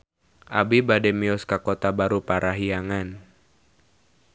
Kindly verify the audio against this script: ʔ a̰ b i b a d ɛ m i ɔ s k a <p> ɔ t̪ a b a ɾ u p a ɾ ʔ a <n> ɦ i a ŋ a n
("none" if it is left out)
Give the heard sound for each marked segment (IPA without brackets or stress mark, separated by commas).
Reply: k, none